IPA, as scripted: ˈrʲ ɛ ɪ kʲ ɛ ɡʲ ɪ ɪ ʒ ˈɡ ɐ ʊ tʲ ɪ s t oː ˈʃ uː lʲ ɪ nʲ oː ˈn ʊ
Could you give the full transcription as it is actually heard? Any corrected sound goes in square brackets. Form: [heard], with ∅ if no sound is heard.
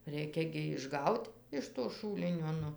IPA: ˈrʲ ɛ ɪ kʲ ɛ ɡʲ ɪ ɪ ʒ ˈɡ ɐ ʊ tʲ ɪ [ʃ] t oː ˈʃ uː lʲ ɪ nʲ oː ˈn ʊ

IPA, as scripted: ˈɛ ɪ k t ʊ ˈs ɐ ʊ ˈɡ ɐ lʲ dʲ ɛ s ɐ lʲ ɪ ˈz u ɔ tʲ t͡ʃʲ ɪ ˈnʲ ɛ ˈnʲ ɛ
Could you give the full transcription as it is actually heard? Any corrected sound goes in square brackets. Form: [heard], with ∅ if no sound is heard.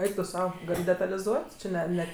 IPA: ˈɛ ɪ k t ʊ ˈs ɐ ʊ ˈɡ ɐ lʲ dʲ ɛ [t] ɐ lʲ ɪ ˈz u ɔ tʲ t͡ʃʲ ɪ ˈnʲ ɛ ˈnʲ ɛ

